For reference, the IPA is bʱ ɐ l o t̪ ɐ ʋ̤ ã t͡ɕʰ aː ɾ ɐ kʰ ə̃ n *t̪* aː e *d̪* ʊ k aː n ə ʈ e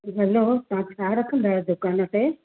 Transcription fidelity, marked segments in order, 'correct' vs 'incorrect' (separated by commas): incorrect, correct